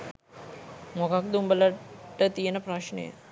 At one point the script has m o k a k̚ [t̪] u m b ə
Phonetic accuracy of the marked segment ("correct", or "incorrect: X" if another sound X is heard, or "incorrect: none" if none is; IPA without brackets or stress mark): incorrect: d̪